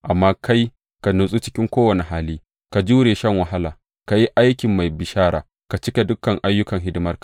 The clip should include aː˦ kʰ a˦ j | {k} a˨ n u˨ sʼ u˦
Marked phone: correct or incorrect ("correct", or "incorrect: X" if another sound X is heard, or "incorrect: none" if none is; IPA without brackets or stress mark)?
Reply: correct